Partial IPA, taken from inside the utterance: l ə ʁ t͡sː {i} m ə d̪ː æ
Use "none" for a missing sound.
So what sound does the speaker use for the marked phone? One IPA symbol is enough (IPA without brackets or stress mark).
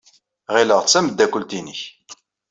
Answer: æ